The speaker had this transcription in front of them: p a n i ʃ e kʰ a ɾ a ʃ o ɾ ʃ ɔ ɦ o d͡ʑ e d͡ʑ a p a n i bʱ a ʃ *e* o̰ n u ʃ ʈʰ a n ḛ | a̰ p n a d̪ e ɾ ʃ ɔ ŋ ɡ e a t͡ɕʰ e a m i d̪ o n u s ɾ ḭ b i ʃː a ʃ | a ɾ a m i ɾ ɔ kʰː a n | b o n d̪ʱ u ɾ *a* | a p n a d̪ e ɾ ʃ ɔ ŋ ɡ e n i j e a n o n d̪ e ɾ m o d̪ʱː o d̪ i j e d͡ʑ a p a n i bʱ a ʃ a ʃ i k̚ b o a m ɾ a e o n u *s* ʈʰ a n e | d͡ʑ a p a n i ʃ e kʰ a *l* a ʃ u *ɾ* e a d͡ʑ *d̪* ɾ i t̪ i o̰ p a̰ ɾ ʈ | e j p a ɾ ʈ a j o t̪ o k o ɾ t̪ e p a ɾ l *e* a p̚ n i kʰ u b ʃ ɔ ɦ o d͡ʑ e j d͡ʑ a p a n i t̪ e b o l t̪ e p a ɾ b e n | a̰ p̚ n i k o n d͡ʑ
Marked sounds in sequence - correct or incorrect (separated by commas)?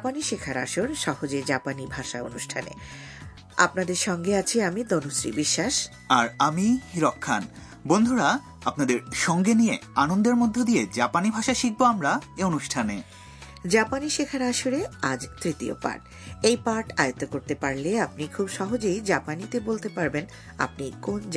incorrect, correct, incorrect, incorrect, correct, incorrect, correct